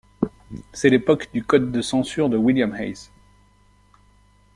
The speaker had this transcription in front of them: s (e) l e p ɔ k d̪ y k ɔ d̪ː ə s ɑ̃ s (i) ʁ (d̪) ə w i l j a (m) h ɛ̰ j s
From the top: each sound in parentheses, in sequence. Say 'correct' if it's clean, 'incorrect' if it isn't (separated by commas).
incorrect, incorrect, correct, correct